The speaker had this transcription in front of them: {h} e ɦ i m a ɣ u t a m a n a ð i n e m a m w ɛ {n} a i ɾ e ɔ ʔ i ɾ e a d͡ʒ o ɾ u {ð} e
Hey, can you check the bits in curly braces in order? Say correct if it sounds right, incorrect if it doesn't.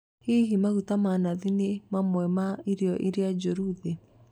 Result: correct, incorrect: m, correct

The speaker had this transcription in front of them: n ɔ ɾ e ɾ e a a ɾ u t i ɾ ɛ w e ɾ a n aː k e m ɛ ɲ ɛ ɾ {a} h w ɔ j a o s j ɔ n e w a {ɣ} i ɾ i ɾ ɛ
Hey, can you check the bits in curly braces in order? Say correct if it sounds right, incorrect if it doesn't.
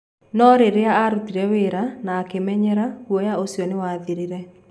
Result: correct, incorrect: ð

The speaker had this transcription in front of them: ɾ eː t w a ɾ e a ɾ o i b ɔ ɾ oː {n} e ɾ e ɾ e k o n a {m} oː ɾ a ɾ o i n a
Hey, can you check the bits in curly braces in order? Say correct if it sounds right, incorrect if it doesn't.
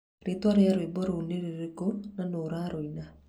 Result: correct, incorrect: n

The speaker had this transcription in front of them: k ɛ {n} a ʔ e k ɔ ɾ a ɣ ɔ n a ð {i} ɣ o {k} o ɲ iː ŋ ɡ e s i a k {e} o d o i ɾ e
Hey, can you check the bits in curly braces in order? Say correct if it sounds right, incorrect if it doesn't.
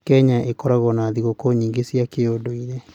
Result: incorrect: ɲ, correct, correct, correct

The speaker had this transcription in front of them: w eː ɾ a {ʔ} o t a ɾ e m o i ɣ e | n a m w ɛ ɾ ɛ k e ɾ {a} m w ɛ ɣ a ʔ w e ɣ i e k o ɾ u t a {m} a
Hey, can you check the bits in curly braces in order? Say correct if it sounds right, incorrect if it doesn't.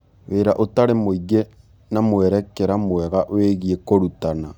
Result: correct, correct, incorrect: n

